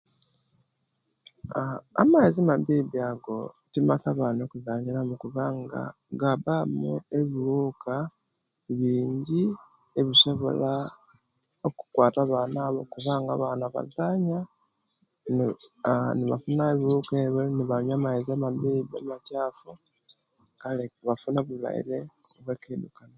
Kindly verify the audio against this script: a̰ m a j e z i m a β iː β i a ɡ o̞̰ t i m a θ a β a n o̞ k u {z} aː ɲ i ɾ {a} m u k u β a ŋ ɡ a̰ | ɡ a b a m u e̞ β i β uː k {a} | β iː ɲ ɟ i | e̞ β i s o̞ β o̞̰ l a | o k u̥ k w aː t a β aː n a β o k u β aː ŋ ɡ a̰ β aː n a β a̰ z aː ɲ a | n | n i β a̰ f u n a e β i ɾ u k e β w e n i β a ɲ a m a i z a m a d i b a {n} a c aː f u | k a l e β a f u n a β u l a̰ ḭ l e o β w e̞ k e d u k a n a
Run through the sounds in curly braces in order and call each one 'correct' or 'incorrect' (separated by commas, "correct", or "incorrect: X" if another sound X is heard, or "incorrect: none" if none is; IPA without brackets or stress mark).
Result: correct, correct, correct, incorrect: m